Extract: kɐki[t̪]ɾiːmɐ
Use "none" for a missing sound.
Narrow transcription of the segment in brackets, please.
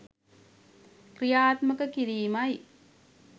none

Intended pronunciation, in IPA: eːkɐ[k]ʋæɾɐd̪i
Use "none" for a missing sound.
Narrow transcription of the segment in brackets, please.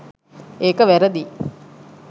none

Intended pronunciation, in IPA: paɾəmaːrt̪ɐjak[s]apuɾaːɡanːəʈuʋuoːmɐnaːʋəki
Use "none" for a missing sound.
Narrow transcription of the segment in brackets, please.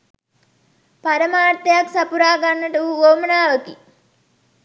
s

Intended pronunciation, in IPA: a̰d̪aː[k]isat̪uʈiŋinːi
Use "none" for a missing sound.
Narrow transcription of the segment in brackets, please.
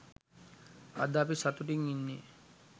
p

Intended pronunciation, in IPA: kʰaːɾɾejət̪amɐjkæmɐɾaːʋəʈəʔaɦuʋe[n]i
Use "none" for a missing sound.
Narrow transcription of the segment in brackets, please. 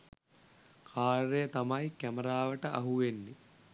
nː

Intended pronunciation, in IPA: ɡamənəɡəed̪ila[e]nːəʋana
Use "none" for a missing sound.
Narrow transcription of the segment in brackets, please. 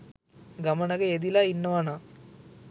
i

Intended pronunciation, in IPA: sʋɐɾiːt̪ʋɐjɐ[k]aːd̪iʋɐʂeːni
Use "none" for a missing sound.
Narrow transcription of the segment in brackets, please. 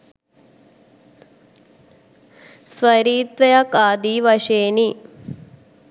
k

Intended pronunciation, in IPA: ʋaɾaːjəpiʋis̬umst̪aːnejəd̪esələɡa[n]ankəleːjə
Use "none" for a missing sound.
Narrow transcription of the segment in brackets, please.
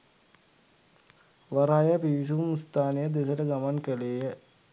m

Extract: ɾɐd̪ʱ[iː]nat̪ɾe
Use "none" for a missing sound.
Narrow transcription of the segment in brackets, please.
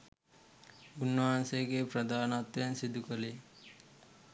aː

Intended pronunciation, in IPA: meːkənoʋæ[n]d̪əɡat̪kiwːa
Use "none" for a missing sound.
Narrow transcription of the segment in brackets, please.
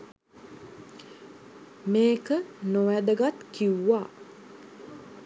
none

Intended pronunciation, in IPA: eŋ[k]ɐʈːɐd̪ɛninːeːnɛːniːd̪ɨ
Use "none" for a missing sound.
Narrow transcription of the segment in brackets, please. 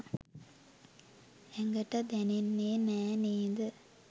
ɡ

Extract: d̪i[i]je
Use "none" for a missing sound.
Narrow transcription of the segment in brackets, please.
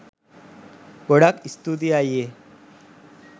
a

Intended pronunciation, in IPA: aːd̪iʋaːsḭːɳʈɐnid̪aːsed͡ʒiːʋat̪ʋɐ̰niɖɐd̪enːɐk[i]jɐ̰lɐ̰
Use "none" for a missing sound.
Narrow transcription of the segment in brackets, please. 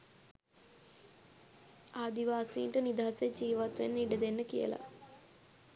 i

